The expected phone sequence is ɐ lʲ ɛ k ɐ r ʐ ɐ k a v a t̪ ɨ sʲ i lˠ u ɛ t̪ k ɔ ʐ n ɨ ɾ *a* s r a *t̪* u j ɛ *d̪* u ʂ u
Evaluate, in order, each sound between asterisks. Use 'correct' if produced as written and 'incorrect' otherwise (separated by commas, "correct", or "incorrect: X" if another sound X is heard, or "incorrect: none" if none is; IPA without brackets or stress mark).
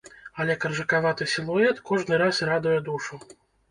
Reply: correct, incorrect: d̪, correct